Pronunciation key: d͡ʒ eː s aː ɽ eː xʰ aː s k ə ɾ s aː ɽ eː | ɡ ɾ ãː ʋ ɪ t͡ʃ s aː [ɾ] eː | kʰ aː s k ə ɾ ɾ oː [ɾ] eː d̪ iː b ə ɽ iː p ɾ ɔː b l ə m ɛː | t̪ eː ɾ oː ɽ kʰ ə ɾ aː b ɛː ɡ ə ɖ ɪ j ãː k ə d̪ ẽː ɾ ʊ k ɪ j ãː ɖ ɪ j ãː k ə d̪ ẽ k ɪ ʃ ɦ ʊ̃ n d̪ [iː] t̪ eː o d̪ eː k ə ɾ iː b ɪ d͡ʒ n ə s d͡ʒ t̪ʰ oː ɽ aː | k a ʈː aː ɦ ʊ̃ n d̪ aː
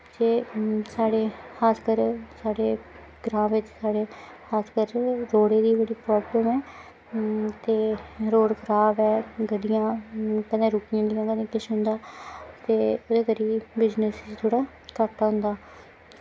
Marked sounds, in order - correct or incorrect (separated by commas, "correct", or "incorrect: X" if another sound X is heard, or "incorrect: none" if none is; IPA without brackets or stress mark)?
incorrect: ɽ, incorrect: ɽ, incorrect: aː